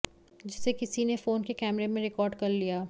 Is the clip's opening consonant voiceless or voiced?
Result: voiced